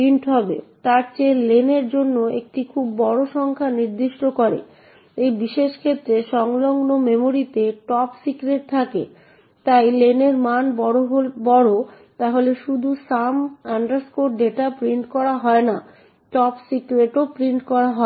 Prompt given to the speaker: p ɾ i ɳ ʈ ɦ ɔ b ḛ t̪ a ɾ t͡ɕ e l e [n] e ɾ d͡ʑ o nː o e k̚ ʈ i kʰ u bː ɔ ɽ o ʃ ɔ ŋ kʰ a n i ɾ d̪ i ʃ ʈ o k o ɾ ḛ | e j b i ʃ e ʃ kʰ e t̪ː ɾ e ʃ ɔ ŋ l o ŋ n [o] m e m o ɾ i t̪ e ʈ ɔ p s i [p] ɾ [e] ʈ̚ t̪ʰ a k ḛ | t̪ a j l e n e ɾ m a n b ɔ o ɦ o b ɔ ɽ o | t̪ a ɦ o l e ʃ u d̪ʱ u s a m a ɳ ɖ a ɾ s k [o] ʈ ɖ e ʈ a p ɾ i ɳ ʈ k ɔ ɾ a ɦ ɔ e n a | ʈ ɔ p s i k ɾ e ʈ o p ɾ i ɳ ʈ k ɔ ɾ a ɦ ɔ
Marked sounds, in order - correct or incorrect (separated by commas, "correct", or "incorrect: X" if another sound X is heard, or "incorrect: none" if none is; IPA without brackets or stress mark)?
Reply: correct, correct, incorrect: k, correct, correct